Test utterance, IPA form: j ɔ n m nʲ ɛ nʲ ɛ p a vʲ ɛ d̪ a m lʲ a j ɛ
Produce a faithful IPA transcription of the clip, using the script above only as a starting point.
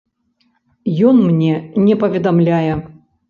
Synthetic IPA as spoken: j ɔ n m nʲ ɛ nʲ ɛ p ɐ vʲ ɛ d̪ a m lʲ a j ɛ